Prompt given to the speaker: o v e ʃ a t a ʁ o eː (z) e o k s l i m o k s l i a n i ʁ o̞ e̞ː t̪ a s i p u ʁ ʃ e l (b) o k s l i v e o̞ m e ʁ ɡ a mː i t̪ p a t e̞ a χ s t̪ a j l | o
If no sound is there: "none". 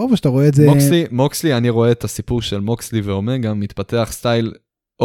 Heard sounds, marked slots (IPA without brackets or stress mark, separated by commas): z, m